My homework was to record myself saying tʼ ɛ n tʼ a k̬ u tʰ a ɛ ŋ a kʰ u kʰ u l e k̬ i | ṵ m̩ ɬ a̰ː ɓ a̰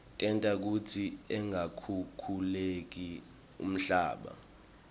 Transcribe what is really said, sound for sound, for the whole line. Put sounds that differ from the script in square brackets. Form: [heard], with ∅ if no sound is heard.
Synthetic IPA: tʼ ɛ n tʼ a k̬ u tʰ [i] ɛ ŋ a kʰ u kʰ u l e k̬ i | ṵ m̩ ɬ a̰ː ɓ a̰